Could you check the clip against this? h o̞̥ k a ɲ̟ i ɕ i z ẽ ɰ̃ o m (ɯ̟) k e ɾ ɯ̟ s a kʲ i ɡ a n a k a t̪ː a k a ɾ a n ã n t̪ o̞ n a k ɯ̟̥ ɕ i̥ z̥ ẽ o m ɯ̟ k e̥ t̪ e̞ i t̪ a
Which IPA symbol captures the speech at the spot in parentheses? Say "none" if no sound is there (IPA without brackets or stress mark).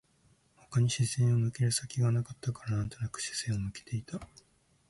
ɯ̟